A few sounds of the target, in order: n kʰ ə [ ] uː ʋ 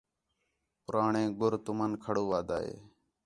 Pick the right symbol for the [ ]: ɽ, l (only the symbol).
ɽ